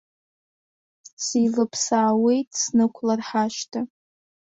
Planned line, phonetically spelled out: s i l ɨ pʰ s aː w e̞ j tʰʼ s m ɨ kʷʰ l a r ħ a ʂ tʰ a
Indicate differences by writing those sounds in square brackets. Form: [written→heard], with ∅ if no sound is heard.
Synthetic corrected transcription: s i l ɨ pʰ s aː w e̞ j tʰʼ s [m→n] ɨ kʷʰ l a r ħ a [ʂ→ʃ] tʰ a